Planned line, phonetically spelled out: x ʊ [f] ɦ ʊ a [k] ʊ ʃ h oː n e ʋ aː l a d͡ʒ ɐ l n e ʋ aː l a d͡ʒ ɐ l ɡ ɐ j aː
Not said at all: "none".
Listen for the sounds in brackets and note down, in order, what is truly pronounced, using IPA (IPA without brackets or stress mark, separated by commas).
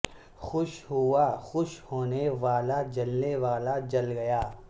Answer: ʃ, x